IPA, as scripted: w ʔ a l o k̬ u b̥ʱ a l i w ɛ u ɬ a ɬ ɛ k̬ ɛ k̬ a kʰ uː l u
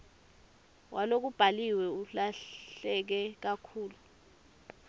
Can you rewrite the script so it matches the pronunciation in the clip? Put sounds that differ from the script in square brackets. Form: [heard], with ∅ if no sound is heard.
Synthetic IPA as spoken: w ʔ a l o k̬ u b̥ʱ a l i w ɛ u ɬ a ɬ ɛ k̬ ɛ k̬ a kʰ uː l u